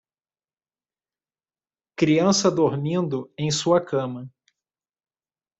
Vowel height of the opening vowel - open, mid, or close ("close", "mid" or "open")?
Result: close